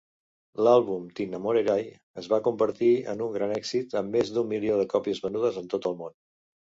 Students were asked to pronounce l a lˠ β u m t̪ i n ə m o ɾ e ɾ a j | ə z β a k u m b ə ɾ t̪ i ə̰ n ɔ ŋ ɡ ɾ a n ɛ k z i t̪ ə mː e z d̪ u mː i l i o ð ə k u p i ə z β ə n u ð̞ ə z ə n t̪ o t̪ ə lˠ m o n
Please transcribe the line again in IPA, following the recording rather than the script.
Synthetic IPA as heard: l a lˠ β u m t̪ i n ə m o ɾ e ɾ a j | ə z β a k u m b ə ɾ t̪ i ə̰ n u ŋ ɡ ɾ a n ɛ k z i t̪ ə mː e z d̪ u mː i l i o ð ə k ɔ p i ə z β ə n u ð̞ ə z ə n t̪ o t̪ ə lˠ m o n